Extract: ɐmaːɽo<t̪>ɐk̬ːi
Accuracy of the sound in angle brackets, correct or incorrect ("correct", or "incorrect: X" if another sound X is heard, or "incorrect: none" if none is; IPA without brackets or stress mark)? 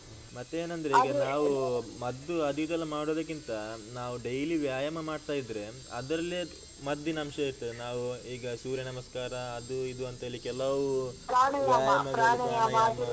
incorrect: d̪